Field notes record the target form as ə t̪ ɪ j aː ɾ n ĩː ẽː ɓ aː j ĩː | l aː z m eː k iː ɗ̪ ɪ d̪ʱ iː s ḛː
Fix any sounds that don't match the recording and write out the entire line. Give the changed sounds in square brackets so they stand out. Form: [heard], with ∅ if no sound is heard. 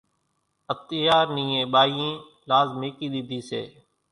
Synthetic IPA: ə t̪ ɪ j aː ɾ n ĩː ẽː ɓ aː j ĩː | l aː z m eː k iː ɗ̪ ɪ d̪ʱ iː s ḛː